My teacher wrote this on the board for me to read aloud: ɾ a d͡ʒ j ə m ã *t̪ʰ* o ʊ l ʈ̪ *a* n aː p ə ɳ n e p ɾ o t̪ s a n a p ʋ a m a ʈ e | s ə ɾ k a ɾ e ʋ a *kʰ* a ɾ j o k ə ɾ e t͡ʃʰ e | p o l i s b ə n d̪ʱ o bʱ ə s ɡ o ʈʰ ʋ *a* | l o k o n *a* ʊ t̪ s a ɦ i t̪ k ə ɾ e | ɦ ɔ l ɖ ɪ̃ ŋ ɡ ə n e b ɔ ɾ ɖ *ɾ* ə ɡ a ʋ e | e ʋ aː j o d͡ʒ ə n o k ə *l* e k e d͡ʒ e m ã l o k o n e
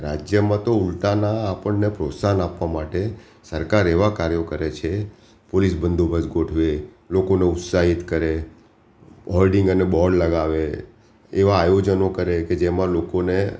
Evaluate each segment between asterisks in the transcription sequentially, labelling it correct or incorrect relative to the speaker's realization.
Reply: incorrect, correct, incorrect, incorrect, incorrect, incorrect, incorrect

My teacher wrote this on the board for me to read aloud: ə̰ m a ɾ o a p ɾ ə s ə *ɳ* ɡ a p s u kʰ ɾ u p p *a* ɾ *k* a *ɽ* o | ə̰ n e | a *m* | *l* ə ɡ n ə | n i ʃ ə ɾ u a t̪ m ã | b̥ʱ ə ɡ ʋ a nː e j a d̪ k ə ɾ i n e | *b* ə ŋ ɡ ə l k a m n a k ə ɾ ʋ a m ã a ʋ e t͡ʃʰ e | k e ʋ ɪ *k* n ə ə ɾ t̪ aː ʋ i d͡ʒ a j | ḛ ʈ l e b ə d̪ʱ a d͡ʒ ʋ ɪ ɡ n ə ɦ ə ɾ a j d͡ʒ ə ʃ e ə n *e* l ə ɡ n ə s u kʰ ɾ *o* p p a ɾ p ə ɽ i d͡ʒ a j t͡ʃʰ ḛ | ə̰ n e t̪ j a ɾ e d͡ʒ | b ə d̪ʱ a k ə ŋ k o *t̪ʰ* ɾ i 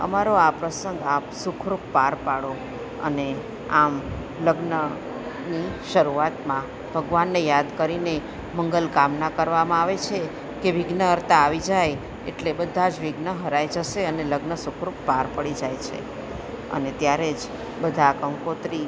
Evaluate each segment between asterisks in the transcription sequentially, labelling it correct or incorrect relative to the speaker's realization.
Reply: incorrect, correct, incorrect, correct, correct, correct, incorrect, incorrect, correct, incorrect, incorrect

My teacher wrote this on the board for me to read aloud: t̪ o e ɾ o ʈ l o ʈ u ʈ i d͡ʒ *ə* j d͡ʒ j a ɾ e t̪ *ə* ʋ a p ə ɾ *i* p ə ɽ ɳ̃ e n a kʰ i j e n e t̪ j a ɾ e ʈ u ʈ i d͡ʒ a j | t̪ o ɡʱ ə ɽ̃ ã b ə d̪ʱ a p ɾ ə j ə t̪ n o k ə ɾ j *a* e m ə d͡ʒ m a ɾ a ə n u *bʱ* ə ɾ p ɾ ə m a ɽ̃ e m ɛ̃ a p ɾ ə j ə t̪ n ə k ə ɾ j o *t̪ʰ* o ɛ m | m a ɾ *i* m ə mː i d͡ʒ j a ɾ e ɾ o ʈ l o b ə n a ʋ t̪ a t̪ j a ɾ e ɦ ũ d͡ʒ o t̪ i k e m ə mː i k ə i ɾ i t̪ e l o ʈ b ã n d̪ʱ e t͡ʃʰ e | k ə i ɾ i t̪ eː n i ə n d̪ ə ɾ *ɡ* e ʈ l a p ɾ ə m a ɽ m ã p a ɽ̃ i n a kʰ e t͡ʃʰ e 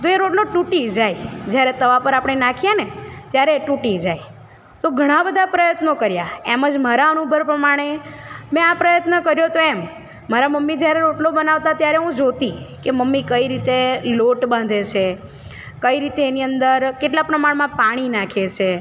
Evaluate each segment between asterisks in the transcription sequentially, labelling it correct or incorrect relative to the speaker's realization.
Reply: incorrect, correct, incorrect, correct, correct, incorrect, incorrect, incorrect

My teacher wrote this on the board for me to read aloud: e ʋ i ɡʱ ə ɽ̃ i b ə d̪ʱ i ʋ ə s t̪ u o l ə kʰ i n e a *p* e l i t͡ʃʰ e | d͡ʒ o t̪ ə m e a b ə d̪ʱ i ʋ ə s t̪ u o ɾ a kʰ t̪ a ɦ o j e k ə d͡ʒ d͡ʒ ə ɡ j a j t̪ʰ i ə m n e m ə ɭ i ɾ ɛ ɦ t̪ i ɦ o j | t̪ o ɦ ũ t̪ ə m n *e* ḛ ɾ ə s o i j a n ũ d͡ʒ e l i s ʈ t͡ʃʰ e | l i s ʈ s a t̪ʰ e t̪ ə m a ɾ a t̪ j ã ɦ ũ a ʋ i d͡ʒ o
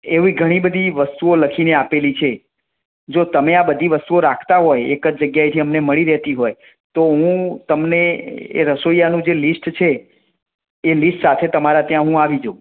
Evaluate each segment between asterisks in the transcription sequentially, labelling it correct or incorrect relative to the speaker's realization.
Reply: correct, correct

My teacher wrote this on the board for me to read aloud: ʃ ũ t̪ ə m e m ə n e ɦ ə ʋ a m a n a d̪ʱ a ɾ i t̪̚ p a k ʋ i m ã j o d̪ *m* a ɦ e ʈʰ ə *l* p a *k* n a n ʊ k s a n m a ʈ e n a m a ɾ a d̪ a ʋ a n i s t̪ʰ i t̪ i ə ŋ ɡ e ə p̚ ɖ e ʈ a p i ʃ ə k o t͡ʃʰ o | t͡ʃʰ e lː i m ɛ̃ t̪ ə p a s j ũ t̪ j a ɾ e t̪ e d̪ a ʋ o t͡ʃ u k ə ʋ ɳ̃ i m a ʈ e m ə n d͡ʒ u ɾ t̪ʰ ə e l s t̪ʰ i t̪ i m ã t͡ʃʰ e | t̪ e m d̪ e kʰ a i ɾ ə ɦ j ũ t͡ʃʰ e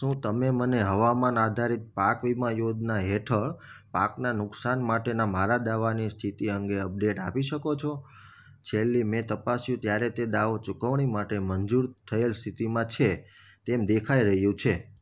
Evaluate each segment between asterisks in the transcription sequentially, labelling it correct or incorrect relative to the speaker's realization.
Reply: incorrect, incorrect, correct

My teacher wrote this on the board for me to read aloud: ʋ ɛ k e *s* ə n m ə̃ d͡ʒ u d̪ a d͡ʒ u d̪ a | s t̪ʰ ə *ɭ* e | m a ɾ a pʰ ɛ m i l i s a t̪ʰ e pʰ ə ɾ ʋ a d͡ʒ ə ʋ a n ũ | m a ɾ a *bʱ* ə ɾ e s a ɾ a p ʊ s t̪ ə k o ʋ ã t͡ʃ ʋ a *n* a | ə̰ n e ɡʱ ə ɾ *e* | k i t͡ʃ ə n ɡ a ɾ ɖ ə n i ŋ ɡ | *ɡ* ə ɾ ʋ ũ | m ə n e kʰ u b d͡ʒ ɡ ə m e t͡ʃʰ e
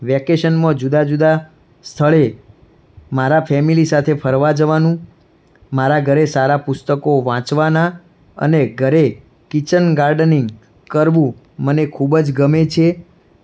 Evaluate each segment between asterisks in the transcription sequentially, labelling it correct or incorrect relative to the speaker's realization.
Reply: incorrect, correct, incorrect, correct, correct, incorrect

